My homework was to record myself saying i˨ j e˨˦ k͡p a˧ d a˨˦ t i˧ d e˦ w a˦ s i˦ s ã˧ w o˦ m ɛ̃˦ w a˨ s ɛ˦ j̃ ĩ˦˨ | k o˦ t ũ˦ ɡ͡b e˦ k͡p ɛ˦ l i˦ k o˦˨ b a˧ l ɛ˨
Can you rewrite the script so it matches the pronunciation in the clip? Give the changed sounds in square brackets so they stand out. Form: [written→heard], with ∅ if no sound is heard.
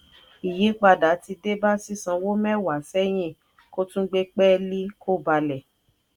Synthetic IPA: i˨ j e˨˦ k͡p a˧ d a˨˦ t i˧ d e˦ [w→b] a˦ s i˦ s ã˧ w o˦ m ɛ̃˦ w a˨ s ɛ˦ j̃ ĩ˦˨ | k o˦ t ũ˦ ɡ͡b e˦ k͡p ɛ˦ l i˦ k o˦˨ b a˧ l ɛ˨